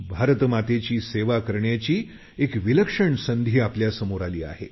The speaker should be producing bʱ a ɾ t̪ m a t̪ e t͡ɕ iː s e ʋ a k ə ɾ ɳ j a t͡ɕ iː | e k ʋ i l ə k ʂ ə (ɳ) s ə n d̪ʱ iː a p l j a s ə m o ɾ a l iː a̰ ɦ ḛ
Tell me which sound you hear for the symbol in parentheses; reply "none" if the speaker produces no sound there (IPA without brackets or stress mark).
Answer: ɳ